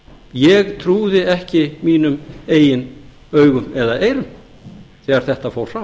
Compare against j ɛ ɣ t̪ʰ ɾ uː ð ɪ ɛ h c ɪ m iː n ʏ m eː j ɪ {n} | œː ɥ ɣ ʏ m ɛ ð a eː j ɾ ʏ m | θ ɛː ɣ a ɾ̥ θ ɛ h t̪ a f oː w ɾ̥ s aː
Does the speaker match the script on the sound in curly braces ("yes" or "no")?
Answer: yes